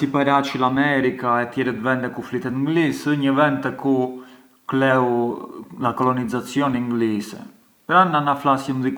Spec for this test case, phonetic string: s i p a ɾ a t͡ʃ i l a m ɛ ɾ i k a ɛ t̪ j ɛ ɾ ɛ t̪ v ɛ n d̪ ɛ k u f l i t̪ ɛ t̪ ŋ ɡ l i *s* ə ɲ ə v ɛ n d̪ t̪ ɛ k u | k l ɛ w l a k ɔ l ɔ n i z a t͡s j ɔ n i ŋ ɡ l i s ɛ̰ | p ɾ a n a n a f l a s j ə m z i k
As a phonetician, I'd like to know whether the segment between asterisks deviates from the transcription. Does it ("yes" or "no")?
no